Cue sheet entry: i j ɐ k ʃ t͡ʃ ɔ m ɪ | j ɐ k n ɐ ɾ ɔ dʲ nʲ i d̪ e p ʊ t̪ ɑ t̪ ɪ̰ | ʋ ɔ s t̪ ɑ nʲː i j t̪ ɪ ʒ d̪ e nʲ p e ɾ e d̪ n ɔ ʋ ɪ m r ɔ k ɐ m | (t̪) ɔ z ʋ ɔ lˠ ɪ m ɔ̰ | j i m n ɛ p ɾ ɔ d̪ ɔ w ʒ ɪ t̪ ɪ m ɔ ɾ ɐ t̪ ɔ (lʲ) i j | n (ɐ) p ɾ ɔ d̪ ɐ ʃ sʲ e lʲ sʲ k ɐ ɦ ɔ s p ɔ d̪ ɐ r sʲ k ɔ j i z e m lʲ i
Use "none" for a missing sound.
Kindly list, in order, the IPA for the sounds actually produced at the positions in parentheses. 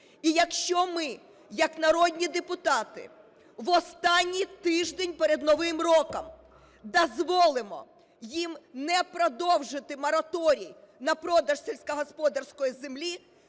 d̪, ɾʲ, ɐ

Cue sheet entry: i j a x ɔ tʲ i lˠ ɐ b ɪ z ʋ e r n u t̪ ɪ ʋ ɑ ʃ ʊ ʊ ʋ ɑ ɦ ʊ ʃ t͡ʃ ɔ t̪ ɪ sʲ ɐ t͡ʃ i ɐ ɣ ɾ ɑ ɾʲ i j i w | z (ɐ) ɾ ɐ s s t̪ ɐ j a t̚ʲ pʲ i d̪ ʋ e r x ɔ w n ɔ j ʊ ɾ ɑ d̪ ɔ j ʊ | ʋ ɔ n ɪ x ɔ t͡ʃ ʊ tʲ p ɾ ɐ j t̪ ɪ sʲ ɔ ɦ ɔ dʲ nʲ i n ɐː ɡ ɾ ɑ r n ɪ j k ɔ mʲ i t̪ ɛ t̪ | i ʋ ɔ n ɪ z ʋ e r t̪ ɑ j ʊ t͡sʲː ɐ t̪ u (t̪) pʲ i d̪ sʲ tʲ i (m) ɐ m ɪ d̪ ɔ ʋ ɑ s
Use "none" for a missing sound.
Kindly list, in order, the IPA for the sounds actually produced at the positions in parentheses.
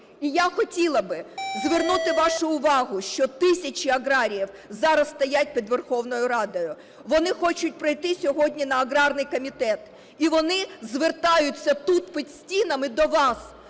ɑ, t̪, n

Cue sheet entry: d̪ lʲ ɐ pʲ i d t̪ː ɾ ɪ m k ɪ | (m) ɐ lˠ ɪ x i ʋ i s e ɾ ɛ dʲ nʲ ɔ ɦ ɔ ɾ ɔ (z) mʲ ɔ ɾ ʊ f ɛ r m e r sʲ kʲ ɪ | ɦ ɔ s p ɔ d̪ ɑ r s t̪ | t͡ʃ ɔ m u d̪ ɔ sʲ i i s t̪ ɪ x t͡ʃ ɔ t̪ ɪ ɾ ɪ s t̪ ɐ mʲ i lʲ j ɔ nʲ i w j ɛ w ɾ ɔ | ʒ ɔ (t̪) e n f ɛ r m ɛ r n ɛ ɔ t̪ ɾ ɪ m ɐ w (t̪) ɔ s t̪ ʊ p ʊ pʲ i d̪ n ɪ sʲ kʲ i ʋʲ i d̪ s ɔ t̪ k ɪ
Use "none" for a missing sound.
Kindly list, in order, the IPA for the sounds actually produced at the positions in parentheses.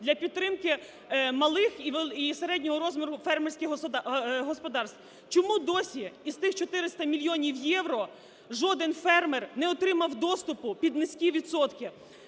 m, z, d̪, d̪

